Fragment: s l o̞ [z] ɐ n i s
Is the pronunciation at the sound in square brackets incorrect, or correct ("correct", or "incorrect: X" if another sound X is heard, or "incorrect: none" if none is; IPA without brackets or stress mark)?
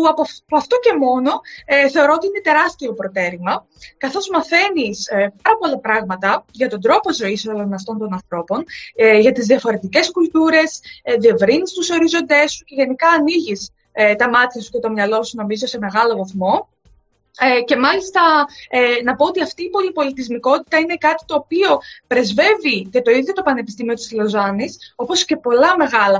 correct